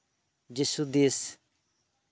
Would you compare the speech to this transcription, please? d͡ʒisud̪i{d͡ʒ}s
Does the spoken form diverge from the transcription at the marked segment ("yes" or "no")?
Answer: yes